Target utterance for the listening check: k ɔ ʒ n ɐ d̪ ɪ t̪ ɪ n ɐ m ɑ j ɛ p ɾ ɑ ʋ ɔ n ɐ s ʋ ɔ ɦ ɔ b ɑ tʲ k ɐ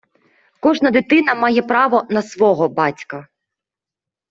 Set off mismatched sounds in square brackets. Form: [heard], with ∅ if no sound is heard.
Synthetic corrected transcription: k ɔ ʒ n ɐ d̪ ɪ t̪ ɪ n ɐ m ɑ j ɛ p ɾ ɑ ʋ ɔ n ɐ s ʋ ɔ ɦ ɔ b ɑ tʲ k ɐ